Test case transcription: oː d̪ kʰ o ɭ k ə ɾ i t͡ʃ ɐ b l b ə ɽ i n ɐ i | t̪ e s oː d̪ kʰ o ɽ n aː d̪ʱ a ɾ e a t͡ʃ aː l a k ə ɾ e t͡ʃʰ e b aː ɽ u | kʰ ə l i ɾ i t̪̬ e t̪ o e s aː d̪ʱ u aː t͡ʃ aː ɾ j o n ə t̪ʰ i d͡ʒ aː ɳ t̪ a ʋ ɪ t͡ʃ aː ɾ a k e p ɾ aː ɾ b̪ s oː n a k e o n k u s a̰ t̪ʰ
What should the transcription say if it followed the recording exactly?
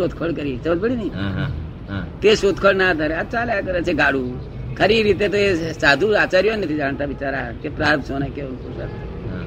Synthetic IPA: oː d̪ kʰ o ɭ k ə ɾ i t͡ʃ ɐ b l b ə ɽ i n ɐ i | t̪ e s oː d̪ kʰ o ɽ n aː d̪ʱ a ɾ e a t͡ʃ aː l a k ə ɾ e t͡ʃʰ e ɡ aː ɽ u | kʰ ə ɾ i ɾ i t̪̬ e t̪ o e s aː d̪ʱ u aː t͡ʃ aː ɾ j o n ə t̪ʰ i d͡ʒ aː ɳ t̪ a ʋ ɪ t͡ʃ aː ɾ a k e p ɾ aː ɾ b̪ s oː n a k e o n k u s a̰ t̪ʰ